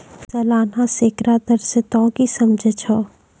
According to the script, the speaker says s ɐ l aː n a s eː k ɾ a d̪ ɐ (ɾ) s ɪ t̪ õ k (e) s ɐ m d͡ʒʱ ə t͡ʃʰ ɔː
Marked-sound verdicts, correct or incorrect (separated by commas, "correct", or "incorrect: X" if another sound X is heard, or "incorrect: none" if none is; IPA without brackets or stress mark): correct, incorrect: i